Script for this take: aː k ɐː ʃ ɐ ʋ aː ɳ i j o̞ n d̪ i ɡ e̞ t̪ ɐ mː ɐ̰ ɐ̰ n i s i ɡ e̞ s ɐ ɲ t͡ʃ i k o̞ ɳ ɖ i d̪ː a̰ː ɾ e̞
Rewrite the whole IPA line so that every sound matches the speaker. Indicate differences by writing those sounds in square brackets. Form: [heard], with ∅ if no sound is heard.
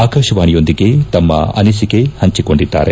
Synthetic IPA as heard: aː k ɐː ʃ ɐ ʋ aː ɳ i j o̞ n d̪ i ɡ e̞ t̪ ɐ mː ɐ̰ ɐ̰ n i s i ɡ e̞ [h] ɐ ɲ t͡ʃ i k o̞ ɳ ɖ i d̪ː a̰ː ɾ e̞